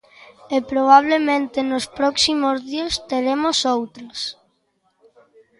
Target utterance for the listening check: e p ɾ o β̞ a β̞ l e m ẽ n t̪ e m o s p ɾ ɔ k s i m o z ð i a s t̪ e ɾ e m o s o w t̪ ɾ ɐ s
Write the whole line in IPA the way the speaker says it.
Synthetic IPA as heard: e p ɾ o β̞ a β̞ l e m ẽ n t̪ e n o s p ɾ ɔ k s i m o z ð i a s t̪ e ɾ e m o s o w t̪ ɾ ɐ s